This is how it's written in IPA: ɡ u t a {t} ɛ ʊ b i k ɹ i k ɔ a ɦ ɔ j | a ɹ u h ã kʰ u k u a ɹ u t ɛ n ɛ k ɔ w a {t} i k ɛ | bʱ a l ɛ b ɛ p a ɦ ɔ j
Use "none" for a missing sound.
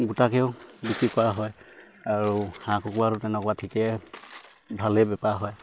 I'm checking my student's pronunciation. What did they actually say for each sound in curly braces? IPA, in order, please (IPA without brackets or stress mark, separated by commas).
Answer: k, tʰ